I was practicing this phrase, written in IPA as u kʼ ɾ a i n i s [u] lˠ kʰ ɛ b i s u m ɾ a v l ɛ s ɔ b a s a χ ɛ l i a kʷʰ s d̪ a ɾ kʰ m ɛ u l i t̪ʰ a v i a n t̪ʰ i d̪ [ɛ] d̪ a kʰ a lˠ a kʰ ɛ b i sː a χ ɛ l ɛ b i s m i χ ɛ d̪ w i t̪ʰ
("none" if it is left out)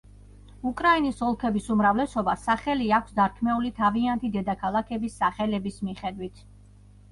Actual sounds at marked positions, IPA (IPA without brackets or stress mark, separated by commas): ɔ, ɛ